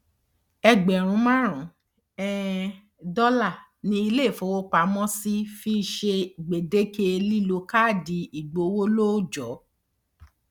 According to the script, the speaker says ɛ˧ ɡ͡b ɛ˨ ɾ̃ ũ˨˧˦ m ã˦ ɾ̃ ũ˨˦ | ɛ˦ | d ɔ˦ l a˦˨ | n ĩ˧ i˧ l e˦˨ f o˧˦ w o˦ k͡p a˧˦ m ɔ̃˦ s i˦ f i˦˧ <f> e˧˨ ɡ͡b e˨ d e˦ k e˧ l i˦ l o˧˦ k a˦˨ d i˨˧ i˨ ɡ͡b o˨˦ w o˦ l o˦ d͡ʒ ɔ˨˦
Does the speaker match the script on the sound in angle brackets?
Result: no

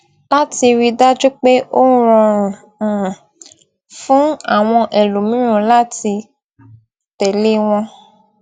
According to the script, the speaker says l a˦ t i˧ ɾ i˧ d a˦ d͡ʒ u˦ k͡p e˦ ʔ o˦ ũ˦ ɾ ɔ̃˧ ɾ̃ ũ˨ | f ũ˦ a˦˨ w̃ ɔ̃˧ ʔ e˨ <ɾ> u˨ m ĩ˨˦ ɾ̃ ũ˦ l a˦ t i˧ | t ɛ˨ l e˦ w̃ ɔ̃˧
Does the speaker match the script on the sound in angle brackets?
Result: no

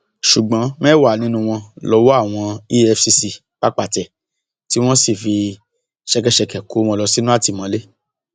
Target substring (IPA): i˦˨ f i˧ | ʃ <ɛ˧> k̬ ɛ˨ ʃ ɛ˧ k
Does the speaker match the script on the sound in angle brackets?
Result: yes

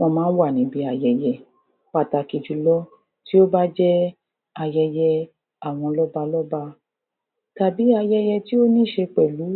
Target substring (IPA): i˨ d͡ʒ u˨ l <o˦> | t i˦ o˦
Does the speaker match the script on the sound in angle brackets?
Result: no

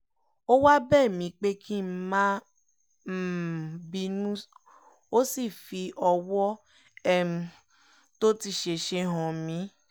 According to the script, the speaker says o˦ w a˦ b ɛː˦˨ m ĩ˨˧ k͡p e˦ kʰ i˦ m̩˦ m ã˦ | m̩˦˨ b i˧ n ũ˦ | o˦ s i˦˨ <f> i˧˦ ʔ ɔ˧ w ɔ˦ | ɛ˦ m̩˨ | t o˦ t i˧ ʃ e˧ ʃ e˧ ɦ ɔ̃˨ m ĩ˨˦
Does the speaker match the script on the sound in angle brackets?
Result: yes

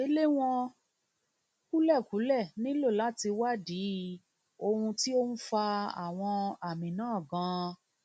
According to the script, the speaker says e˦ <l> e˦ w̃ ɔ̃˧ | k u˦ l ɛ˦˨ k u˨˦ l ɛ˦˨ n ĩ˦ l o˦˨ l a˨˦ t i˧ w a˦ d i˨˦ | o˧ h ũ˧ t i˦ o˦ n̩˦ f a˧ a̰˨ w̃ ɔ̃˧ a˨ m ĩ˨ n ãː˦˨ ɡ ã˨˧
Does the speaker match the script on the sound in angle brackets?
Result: yes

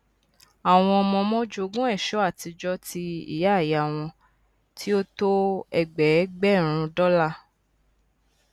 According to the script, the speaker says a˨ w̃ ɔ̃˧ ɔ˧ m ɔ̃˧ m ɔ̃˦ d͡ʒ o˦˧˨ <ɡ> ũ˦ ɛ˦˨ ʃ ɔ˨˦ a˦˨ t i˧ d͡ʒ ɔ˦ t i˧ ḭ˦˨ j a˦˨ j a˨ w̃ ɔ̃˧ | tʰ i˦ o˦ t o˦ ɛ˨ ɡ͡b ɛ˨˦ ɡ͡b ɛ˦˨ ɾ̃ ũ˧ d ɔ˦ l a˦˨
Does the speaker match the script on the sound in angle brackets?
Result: yes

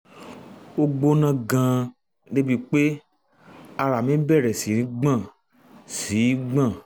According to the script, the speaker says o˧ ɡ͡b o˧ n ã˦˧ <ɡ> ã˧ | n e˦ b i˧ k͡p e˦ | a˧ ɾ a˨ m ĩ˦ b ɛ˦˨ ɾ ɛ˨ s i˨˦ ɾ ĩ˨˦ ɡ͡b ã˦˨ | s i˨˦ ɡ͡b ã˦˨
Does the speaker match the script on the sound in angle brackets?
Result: yes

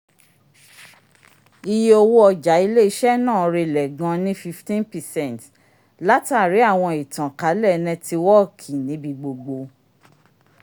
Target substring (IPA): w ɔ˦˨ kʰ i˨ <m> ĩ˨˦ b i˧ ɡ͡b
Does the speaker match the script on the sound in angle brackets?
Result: no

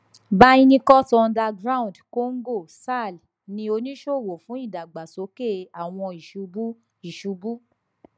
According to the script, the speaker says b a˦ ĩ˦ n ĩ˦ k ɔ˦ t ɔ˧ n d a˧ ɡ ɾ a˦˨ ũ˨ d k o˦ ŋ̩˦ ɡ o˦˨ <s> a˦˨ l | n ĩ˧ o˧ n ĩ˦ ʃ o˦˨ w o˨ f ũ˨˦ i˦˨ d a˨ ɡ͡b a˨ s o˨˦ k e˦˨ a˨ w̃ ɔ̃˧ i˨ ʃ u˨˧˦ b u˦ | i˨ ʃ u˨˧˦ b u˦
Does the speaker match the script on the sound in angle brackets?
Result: yes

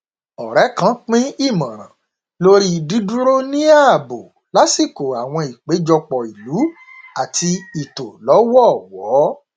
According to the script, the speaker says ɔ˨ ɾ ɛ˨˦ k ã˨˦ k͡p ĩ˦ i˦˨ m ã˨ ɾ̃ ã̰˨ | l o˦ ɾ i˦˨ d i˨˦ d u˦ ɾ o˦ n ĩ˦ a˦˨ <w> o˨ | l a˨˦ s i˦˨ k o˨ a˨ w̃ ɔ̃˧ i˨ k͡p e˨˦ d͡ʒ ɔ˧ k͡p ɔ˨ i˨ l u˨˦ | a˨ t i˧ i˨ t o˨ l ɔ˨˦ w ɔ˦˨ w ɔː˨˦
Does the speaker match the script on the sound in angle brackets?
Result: no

